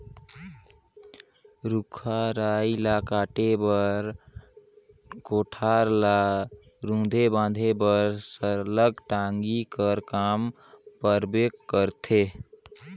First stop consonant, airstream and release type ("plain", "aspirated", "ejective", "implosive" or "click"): aspirated